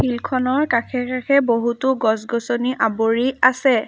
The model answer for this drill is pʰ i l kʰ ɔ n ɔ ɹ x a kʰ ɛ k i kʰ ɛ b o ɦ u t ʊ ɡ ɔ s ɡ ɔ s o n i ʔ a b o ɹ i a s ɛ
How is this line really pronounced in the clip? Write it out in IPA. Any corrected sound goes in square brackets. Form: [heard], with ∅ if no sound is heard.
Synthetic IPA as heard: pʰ i l kʰ ɔ n ɔ ɹ [k] a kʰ ɛ k [a] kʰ ɛ b o ɦ u t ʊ ɡ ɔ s ɡ ɔ s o n i ʔ a b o ɹ i a s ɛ